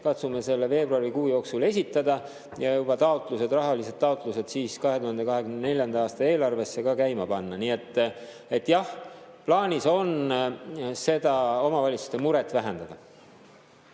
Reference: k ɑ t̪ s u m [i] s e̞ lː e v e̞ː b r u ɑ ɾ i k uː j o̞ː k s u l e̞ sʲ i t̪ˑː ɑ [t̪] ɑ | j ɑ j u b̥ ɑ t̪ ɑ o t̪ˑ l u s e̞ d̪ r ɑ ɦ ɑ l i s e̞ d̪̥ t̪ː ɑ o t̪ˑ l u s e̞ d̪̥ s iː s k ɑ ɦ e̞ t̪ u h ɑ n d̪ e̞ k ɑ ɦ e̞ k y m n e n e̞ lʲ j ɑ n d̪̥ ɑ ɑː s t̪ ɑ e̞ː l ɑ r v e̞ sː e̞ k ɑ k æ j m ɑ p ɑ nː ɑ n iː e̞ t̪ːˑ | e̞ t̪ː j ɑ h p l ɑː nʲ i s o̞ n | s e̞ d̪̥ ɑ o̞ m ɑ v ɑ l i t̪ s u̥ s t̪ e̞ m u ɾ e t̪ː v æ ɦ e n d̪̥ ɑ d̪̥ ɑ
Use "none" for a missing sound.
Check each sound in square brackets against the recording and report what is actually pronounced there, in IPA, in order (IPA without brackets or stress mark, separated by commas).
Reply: e, d̪